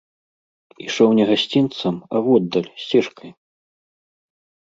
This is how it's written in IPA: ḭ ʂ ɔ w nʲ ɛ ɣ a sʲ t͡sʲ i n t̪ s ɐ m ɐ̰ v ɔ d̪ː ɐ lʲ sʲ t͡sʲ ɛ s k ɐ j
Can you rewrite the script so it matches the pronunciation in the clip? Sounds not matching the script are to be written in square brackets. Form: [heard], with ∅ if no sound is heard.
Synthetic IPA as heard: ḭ ʂ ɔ w nʲ ɛ ɣ a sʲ t͡sʲ i n t̪ s ɐ m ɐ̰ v ɔ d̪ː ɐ lʲ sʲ t͡sʲ ɛ [ʂ] k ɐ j

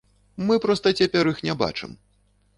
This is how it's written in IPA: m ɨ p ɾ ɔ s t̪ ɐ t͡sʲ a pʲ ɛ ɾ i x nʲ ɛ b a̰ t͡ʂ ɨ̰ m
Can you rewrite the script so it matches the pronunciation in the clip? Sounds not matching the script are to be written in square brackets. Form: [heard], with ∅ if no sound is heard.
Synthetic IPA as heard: m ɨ p ɾ ɔ s t̪ ɐ t͡sʲ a pʲ ɛ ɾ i x nʲ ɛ b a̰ t͡ʂ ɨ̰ m

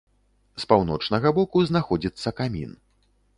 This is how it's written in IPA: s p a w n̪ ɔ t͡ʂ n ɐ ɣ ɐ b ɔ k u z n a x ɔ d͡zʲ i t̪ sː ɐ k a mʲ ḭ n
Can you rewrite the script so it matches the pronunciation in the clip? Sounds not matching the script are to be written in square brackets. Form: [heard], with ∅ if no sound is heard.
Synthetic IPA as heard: s p a w n̪ ɔ t͡ʂ n ɐ ɣ ɐ b ɔ k u z n a x ɔ d͡zʲ i t̪ sː ɐ k a mʲ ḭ n

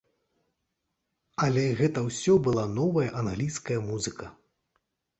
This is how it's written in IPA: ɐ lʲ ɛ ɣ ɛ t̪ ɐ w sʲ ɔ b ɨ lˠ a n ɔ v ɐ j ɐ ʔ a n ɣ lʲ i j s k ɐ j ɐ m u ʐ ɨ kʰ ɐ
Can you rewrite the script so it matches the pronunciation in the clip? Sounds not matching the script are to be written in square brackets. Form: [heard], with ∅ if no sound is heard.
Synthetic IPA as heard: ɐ lʲ ɛ ɣ ɛ t̪ ɐ w sʲ ɔ b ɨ lˠ a n ɔ v ɐ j ɐ ʔ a n ɣ lʲ i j s k ɐ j ɐ m u [z] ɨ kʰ ɐ

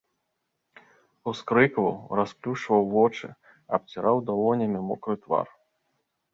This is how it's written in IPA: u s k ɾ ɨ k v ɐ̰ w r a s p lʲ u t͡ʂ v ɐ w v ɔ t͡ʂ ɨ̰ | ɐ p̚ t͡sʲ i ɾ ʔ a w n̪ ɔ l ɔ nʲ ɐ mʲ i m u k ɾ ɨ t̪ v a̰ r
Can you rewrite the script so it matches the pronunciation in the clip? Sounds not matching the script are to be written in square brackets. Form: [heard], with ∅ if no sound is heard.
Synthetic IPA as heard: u s k ɾ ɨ k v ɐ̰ w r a s p lʲ u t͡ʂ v ɐ w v ɔ t͡ʂ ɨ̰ | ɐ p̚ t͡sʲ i ɾ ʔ a w [d̪] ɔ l ɔ nʲ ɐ mʲ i m [ɔ] k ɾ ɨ t̪ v a̰ r

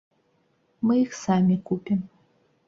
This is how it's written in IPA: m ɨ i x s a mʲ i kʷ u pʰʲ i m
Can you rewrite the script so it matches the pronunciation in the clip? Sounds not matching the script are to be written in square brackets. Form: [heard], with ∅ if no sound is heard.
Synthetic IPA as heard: m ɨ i x s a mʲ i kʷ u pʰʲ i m

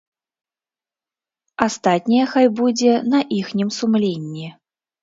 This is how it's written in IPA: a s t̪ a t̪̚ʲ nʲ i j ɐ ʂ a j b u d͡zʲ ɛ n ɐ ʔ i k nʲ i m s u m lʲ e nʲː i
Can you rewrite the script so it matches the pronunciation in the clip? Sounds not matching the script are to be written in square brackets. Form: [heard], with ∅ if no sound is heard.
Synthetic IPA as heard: a s t̪ a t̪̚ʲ nʲ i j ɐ [x] a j b u d͡zʲ ɛ n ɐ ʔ i [x] nʲ i m s u m lʲ e nʲː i

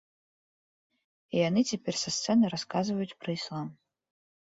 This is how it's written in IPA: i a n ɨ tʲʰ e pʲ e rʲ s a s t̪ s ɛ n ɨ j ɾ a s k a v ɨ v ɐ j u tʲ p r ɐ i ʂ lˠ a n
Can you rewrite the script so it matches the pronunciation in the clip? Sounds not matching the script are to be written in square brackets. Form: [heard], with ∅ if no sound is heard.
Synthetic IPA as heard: i a n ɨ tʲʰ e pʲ e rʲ s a s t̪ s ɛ n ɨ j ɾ a s k a [z] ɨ v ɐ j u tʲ p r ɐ i [s] lˠ a [m]

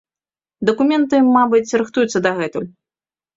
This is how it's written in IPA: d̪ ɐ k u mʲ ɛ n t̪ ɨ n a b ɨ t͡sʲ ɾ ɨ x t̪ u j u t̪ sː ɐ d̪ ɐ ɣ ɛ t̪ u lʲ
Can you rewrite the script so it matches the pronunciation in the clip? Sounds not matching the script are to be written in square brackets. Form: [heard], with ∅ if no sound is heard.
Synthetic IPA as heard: d̪ ɐ k u mʲ ɛ n t̪ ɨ [m] a b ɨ t͡sʲ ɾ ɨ x t̪ u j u t̪ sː ɐ d̪ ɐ ɣ ɛ t̪ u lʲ

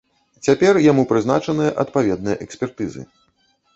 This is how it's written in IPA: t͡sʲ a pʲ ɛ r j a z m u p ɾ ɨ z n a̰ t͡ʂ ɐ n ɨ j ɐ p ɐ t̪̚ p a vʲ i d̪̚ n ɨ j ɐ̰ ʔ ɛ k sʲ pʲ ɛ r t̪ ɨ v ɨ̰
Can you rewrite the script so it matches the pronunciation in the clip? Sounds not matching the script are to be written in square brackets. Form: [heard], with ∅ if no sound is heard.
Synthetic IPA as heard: t͡sʲ a pʲ ɛ r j a [∅] m u p ɾ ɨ z n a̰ t͡ʂ ɐ n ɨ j ɐ [ʔ] ɐ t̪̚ p a vʲ [ɛ] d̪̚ n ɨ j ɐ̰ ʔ ɛ k sʲ pʲ ɛ r t̪ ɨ [z] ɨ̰

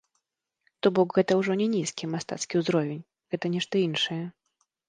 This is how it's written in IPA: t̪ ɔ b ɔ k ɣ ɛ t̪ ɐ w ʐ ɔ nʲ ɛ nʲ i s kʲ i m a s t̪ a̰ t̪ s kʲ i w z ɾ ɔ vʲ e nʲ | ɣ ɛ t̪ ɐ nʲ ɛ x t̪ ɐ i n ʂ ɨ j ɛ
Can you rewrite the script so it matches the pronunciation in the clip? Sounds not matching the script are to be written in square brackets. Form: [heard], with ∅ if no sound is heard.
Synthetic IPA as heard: t̪ ɔ b ɔ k ɣ ɛ t̪ ɐ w ʐ ɔ nʲ ɛ nʲ i s kʲ i m a s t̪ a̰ t̪ s kʲ i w z ɾ ɔ vʲ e nʲ | ɣ ɛ t̪ ɐ nʲ ɛ [ʂ] t̪ ɐ i n ʂ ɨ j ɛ

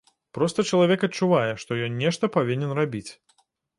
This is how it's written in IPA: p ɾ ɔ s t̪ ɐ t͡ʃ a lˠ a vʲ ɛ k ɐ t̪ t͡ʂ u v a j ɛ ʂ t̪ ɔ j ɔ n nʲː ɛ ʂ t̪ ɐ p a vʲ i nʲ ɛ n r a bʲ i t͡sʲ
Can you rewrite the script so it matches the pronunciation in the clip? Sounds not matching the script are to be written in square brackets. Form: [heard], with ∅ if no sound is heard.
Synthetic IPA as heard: p ɾ ɔ s t̪ ɐ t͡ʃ [ɐ] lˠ a vʲ ɛ k ɐ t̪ t͡ʂ u v a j ɛ ʂ t̪ ɔ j ɔ n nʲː ɛ ʂ t̪ ɐ p a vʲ i nʲ ɛ n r a bʲ i t͡sʲ

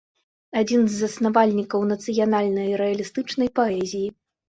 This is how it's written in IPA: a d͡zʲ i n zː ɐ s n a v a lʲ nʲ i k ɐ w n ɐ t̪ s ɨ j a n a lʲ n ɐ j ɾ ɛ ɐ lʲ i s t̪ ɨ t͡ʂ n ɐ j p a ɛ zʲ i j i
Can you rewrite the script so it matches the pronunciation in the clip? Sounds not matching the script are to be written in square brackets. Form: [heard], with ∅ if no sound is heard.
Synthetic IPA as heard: a d͡zʲ i n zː ɐ s n a v a lʲ nʲ i k ɐ w n ɐ t̪ s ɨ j a n a lʲ n ɐ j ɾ ɛ ɐ lʲ i s t̪ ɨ t͡ʂ n ɐ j p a ɛ zʲ i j i

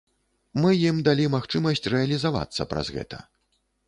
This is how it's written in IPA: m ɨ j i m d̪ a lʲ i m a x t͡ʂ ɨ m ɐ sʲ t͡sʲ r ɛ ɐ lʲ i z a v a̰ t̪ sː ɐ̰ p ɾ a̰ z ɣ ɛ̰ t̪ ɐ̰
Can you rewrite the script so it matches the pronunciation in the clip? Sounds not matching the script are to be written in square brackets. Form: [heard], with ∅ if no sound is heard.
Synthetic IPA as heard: m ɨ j i m d̪ a lʲ i m a x t͡ʂ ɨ m ɐ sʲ t͡sʲ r ɛ ɐ lʲ i z a v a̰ t̪ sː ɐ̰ p ɾ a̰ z ɣ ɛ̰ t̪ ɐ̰

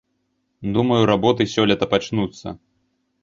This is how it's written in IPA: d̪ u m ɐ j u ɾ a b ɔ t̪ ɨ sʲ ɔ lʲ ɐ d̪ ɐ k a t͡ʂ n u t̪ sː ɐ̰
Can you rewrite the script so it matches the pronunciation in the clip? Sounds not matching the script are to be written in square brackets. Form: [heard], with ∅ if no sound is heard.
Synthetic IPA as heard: d̪ u m ɐ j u ɾ a b ɔ t̪ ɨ sʲ ɔ lʲ ɐ [t̪] ɐ [p] a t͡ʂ n u t̪ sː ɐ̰

